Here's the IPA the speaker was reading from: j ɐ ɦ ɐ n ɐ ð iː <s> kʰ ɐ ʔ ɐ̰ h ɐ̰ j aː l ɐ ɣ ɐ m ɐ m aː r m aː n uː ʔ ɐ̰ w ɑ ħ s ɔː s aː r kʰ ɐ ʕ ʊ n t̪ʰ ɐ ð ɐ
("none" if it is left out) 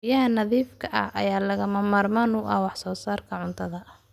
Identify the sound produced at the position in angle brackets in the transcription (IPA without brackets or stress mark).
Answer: f